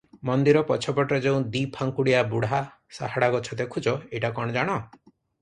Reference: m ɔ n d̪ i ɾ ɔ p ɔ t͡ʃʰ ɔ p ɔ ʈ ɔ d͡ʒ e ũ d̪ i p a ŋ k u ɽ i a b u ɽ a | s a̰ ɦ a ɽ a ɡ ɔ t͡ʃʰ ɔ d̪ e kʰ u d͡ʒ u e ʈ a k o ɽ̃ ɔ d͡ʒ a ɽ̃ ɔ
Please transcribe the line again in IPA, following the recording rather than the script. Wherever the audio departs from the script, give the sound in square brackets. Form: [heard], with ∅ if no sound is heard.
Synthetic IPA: m ɔ n d̪ i ɾ ɔ p ɔ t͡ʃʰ ɔ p ɔ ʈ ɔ d͡ʒ e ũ d̪ i [pʰ] a ŋ k u ɽ i a b u ɽ a | s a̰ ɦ a ɽ a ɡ ɔ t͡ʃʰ ɔ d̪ e kʰ u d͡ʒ [ɔ] e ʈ a k [ɔ] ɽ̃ ɔ d͡ʒ a ɽ̃ ɔ